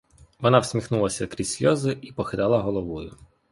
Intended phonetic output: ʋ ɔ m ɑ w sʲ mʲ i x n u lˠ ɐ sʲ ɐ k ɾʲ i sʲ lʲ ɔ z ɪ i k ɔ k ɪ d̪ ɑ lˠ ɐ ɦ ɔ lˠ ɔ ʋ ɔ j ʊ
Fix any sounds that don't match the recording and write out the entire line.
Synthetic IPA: ʋ ɔ n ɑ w sʲ mʲ i x n u lˠ ɐ sʲ ɐ k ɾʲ i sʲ lʲ ɔ z ɪ i p ɔ x ɪ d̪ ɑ lˠ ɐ ɦ ɔ lˠ ɔ ʋ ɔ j ʊ